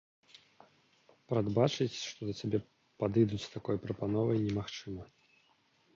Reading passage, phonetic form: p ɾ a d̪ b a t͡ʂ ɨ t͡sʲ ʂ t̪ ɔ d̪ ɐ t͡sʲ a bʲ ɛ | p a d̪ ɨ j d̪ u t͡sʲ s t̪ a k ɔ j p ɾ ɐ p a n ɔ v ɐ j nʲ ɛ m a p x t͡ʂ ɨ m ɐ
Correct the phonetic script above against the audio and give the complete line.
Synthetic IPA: p ɾ a d̪ b a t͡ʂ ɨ t͡sʲ ʂ t̪ ɔ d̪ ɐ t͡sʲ a bʲ ɛ | p a d̪ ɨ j d̪ u t͡sʲ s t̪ a k ɔ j p ɾ ɐ p a n ɔ v ɐ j nʲ ɛ m a x t͡ʂ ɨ m ɐ

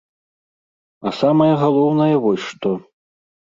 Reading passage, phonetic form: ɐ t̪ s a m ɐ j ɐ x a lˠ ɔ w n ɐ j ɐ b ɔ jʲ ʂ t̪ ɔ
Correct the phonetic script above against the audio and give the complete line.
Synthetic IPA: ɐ s a m ɐ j ɐ ɣ a lˠ ɔ w n ɐ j ɐ v ɔ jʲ ʂ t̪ ɔ

